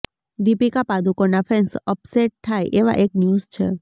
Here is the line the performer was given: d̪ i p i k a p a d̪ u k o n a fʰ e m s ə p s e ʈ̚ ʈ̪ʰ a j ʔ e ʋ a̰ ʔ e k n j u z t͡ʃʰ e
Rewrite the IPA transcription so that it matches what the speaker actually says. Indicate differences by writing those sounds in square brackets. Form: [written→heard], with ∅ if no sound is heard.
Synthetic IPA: d̪ i p i k a p a d̪ u k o n a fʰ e [m→n] s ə p s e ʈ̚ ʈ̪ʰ a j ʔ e ʋ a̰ ʔ e k n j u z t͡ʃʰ e